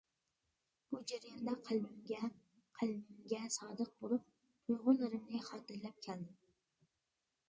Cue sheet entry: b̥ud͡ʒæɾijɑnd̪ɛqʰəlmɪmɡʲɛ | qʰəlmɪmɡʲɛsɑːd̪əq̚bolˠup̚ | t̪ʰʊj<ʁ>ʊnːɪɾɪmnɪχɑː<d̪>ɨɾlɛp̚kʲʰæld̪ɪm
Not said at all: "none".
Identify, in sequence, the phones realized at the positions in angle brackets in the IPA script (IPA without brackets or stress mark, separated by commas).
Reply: ʁ, t̪